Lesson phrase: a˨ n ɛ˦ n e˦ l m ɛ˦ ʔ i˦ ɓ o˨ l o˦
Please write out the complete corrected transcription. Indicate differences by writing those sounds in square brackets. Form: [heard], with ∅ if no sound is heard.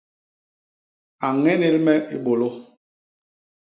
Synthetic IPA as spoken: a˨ [ŋ] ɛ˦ n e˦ l m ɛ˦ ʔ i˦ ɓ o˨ l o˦